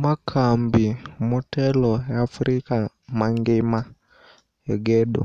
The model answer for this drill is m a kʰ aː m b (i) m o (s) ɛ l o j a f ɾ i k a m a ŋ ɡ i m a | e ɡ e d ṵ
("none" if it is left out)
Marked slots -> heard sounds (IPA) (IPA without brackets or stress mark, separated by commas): i, t